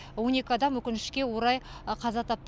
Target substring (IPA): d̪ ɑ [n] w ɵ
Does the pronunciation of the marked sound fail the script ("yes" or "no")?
yes